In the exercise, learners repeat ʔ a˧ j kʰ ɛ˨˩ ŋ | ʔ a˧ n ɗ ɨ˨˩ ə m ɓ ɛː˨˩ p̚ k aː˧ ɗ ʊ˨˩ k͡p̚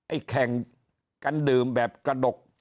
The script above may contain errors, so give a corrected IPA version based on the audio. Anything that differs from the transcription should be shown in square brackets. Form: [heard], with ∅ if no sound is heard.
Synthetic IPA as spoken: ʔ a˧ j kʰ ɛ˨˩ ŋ | [k] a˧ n ɗ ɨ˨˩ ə m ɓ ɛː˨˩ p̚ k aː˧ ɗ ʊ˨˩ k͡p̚